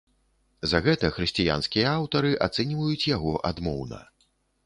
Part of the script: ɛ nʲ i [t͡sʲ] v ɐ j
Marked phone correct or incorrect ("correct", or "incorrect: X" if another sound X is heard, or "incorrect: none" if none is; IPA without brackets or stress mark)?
incorrect: none